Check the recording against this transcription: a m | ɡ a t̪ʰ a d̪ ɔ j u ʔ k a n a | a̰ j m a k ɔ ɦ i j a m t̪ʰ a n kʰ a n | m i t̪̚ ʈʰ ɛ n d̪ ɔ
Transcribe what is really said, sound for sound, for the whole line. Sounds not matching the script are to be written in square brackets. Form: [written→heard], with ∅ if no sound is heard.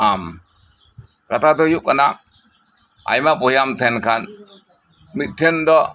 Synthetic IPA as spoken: a m | [ɡ→k] a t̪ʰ a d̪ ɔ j u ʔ k a n a | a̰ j m a [k→p] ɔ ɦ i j a m t̪ʰ [a→ɛ] n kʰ a n | m i t̪̚ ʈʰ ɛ n d̪ ɔ